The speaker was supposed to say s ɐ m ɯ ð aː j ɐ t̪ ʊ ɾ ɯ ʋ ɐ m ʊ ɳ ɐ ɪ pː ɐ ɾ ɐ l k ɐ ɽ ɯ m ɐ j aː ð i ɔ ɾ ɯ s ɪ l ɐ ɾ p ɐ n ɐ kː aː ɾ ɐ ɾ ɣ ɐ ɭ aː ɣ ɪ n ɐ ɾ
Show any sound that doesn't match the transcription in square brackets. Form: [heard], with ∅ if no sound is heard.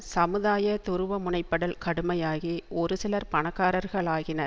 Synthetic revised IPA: s ɐ m ɯ ð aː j ɐ t̪ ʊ ɾ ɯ ʋ ɐ m ʊ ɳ ɐ ɪ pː ɐ [ɽ] ɐ l k ɐ ɽ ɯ m ɐ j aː [ɣ] i ɔ ɾ ɯ s ɪ l ɐ ɾ p ɐ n ɐ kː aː ɾ ɐ ɾ ɣ ɐ ɭ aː ɣ ɪ n ɐ ɾ